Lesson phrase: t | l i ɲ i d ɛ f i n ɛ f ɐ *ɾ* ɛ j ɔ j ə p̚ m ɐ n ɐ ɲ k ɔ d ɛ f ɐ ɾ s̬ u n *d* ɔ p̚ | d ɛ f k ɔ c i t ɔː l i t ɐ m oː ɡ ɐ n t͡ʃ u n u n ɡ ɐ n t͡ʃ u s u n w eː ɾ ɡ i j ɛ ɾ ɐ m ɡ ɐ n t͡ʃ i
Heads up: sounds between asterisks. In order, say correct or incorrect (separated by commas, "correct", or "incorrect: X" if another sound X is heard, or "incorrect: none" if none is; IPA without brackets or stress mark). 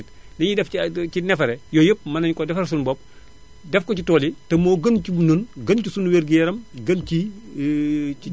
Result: correct, incorrect: b